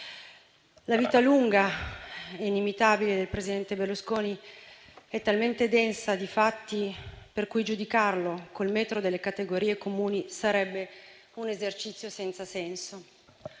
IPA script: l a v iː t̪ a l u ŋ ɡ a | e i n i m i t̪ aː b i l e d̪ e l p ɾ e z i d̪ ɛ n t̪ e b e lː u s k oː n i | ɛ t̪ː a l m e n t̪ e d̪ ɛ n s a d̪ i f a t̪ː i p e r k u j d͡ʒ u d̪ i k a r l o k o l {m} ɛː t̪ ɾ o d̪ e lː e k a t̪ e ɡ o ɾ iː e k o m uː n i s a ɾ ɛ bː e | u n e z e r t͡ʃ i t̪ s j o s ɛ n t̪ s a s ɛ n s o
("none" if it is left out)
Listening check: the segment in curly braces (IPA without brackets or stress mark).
m